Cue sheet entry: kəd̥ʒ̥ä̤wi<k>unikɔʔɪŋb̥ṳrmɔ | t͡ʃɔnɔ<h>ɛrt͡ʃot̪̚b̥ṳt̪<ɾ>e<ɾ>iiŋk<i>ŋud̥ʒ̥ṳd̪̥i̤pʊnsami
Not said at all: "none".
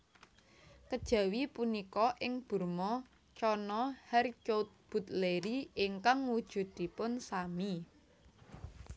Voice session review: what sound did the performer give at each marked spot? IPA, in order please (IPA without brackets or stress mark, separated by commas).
p, h, l, ɾ, a